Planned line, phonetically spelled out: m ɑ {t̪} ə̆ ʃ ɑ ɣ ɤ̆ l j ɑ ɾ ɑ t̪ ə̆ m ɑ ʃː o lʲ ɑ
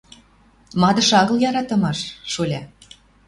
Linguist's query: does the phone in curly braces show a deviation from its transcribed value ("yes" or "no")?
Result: yes